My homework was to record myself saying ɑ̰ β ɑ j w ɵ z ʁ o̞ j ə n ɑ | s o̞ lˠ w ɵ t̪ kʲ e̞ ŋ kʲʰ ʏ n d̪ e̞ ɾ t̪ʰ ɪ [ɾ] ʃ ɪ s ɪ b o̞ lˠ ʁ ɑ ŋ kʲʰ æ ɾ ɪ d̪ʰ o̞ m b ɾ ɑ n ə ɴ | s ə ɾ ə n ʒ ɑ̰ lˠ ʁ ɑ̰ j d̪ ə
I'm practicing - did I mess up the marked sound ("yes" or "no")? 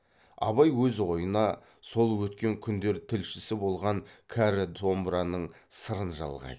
yes